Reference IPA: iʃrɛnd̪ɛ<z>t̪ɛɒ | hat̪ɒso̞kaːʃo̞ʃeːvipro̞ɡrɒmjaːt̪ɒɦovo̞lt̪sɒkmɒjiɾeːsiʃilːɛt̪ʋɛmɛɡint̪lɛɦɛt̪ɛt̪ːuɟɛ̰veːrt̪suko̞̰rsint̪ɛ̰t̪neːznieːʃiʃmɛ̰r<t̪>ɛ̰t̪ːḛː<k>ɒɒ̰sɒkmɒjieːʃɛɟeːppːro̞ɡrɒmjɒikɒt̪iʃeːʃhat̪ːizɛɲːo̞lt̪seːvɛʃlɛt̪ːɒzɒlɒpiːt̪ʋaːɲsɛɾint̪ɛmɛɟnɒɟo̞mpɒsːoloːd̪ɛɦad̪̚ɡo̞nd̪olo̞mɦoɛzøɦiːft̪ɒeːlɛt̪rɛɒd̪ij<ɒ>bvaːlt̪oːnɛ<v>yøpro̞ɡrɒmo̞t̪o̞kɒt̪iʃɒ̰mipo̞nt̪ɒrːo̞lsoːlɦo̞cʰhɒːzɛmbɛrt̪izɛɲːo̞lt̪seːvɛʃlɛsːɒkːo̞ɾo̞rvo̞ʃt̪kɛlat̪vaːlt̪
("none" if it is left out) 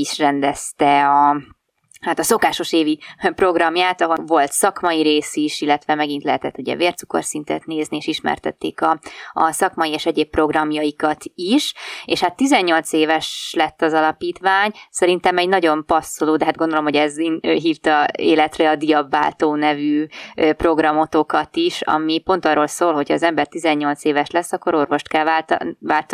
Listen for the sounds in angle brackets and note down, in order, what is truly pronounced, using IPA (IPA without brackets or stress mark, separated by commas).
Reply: s, t̪, k, ɒ, v